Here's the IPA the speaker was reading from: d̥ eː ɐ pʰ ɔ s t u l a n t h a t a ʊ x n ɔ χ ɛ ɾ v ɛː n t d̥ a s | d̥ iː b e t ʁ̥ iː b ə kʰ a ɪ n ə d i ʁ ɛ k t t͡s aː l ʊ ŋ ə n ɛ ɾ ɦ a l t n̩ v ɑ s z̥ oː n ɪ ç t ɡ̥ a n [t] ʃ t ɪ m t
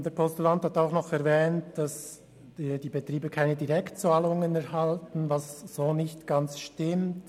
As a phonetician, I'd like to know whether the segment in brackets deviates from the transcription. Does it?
yes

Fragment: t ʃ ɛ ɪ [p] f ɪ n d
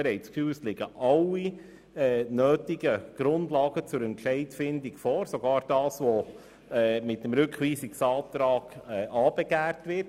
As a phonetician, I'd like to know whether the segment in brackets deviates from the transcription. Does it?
yes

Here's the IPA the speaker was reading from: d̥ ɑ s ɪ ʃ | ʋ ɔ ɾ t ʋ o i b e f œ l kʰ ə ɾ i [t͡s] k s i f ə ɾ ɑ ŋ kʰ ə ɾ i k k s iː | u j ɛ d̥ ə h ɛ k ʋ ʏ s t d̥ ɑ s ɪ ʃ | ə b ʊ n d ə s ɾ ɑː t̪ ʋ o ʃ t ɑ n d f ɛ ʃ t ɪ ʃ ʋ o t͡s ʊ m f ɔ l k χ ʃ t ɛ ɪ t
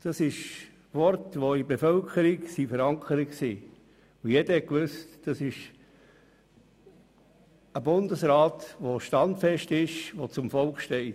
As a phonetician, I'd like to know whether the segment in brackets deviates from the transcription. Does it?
yes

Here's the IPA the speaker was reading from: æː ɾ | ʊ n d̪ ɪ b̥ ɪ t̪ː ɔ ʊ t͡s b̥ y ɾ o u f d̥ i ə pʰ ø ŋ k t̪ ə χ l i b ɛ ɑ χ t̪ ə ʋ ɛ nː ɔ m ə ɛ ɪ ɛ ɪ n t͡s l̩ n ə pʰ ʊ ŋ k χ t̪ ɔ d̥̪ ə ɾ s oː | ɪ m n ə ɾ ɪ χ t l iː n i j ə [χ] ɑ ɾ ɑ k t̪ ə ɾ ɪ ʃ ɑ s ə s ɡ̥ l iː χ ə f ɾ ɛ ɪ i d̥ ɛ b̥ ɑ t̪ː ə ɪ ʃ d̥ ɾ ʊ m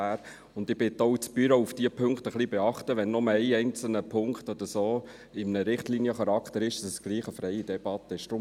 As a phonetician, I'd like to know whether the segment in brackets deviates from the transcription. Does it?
no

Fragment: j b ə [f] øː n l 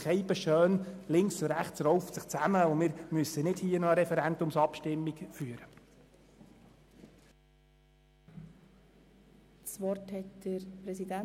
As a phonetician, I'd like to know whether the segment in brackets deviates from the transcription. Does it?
yes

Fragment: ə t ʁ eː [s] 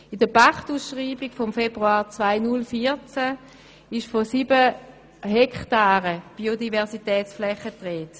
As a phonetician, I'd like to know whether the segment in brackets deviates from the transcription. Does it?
yes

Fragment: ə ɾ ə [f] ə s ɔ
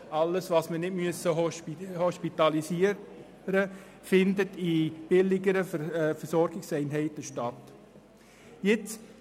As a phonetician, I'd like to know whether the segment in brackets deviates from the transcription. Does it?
no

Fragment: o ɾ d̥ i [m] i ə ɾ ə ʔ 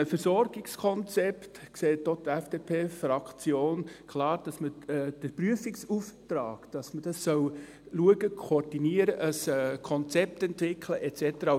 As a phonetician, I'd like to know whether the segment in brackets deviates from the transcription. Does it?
yes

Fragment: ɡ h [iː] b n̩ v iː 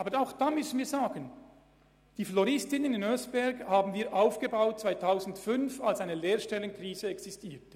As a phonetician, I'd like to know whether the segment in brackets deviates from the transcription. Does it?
yes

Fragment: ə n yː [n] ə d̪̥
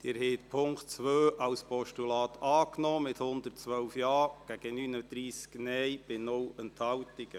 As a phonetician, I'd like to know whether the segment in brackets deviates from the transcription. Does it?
no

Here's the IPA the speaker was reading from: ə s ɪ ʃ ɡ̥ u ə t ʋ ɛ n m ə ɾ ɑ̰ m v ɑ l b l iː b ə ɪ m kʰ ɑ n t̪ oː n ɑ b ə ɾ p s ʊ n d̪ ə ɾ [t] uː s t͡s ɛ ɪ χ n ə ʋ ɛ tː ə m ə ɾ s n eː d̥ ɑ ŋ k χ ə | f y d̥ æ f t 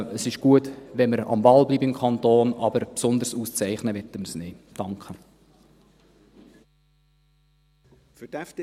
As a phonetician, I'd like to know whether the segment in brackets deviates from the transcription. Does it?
yes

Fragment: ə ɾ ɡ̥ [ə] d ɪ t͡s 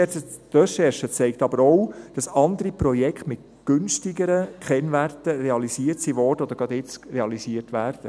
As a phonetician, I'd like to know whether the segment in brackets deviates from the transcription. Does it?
yes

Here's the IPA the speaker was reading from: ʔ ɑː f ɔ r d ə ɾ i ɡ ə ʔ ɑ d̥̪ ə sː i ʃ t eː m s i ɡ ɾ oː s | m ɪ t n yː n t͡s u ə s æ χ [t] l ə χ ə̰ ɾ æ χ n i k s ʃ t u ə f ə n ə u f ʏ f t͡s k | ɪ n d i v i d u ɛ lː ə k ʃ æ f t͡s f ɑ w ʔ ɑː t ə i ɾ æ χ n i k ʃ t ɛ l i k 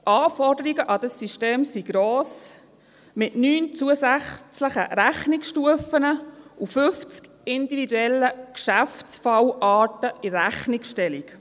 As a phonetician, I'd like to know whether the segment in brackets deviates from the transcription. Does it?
yes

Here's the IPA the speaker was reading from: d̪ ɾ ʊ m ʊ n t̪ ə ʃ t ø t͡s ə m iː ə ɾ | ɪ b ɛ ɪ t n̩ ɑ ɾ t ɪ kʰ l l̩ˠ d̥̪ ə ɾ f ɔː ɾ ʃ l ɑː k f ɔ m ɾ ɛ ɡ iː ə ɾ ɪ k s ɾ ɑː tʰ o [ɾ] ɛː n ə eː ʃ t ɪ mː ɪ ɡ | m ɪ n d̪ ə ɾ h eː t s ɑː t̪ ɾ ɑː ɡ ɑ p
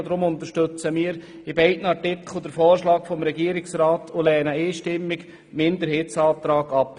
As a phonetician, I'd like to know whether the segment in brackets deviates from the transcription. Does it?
yes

